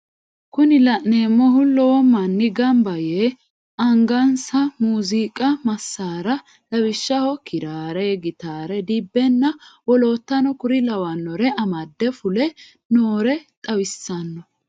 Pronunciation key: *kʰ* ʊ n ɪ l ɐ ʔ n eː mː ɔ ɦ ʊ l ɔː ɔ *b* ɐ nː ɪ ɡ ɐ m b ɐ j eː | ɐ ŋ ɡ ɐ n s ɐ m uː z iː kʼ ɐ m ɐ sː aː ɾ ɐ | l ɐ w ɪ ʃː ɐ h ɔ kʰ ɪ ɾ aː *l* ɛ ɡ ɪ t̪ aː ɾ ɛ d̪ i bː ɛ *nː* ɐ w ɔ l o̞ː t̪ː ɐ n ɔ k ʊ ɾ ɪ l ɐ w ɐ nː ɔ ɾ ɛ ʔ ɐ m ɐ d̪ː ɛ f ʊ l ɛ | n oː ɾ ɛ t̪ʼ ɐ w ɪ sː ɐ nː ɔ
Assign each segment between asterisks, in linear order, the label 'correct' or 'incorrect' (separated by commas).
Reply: incorrect, incorrect, incorrect, correct